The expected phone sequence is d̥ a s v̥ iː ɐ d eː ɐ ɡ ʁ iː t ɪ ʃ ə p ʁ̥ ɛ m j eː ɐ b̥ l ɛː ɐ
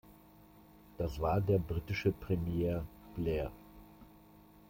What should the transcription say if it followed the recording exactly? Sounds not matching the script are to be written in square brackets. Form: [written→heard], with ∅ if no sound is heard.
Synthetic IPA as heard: d̥ a s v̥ [iː→aː] ɐ d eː ɐ [ɡ→b] ʁ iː t ɪ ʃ ə p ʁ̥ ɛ m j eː ɐ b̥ l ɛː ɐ